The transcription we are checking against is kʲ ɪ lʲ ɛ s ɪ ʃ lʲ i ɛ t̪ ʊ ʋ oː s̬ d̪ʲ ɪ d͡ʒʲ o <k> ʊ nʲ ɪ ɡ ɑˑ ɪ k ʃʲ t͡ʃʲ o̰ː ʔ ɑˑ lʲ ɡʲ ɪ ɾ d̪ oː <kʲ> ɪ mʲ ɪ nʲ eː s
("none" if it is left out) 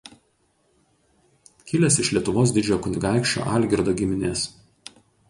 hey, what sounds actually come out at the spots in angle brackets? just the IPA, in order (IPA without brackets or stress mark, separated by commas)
k, ɡʲ